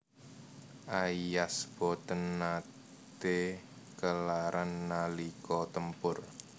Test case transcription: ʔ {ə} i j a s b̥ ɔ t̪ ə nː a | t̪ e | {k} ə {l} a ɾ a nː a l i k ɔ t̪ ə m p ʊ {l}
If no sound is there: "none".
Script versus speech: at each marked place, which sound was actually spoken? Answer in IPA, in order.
a, k, l, r

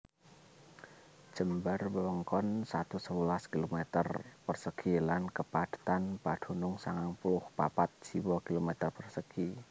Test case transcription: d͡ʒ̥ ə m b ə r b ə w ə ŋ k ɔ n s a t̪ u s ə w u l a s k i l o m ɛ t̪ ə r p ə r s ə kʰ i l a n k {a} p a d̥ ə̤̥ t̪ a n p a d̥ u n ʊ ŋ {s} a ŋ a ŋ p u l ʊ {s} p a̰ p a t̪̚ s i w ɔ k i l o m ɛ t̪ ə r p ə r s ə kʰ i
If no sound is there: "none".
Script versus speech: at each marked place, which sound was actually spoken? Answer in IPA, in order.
ə, s, h

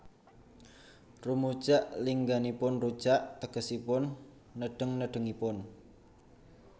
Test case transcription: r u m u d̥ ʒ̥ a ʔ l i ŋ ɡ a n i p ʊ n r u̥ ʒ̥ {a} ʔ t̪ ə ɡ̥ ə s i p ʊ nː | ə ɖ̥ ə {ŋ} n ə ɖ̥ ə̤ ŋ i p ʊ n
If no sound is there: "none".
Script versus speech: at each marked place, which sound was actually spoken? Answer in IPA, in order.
a, ŋ

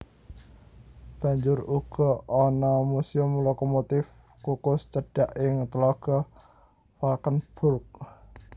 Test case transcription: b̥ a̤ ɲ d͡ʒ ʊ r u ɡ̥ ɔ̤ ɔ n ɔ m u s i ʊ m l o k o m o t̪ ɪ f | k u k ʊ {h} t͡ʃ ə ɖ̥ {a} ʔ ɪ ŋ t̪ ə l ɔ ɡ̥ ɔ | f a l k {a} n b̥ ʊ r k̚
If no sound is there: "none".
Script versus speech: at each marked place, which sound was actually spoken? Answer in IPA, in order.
s, a, ə

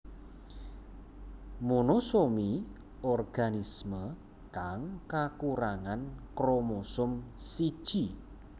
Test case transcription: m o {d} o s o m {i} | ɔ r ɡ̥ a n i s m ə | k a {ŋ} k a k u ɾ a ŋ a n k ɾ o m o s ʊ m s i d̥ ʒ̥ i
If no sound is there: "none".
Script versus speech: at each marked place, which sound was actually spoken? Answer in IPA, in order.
n, i, ŋ

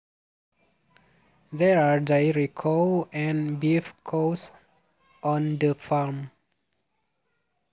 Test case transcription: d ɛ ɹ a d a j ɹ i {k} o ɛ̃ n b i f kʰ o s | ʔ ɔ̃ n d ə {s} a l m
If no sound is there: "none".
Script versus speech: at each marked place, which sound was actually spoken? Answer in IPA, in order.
kʰ, f

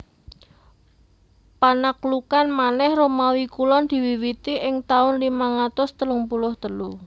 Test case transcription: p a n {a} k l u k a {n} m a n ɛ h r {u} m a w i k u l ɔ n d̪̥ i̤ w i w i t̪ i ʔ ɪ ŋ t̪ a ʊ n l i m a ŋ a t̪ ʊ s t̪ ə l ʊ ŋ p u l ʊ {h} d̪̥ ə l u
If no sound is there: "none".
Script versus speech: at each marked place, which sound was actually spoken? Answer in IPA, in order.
a, n, o, h

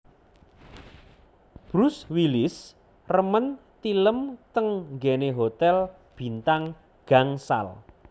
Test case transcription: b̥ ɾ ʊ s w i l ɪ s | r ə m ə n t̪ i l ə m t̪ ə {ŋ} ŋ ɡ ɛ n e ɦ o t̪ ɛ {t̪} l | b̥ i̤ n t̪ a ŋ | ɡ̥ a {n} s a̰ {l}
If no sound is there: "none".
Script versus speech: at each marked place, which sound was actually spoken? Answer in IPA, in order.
ŋ, none, ŋ, l

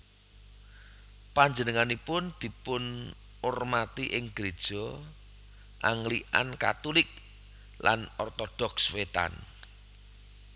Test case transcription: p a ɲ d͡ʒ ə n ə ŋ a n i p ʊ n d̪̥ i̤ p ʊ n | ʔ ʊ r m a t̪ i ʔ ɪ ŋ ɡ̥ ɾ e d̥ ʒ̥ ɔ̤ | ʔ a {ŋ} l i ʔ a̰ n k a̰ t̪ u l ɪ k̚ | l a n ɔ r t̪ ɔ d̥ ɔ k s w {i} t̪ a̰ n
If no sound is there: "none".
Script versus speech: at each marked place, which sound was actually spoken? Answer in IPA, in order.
ŋ, e

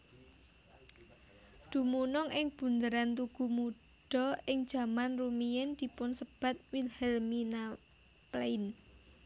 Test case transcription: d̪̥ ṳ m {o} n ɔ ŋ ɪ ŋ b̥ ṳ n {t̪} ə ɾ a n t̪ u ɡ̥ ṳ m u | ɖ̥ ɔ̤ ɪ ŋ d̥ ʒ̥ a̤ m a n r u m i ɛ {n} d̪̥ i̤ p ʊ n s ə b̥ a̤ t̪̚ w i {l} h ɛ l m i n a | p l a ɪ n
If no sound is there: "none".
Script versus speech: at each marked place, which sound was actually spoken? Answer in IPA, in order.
u, d̪, n, l

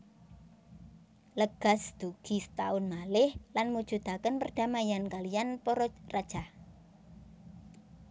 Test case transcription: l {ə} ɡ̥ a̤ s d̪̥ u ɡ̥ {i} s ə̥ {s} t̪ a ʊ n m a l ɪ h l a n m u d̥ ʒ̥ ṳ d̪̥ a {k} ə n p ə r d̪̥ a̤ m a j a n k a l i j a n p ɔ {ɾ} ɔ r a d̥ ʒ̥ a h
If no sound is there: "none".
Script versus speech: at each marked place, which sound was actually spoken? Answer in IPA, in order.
ə, i, none, k, ɾ

